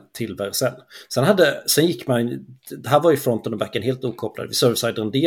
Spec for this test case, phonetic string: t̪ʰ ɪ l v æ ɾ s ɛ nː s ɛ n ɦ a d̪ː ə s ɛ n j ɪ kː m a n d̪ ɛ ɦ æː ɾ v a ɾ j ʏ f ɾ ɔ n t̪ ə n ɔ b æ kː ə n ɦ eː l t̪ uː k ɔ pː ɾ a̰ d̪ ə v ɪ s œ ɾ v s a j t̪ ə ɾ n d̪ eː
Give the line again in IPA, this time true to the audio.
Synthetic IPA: t̪ʰ ɪ l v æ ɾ s ɛ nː s ɛ n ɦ a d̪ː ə s ɛ n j ɪ kː m a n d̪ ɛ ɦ æː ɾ v a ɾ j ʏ f ɾ ɔ n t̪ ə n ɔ b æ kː ə n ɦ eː l t̪ uː kʰ ɔ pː l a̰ d̪ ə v ɪ s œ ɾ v s a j d̪ ə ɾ n d̪ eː